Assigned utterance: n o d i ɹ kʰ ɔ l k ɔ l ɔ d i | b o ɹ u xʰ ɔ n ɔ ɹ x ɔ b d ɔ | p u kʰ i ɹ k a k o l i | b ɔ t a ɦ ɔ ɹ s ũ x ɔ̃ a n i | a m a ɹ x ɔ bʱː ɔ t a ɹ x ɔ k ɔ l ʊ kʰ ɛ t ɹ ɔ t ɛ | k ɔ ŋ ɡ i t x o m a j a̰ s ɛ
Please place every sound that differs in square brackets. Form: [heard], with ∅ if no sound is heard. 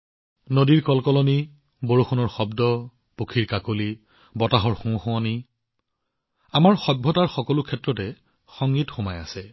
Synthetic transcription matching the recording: n o d i ɹ [k] ɔ l k ɔ l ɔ [n] i | b o ɹ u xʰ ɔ n ɔ ɹ x ɔ b d ɔ | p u kʰ i ɹ k a k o l i | b ɔ t a ɦ ɔ ɹ [x] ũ x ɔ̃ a n i | a m a ɹ x ɔ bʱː ɔ t a ɹ x ɔ k ɔ l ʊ kʰ ɛ t ɹ ɔ t ɛ | [x] ɔ ŋ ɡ i t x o m a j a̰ s ɛ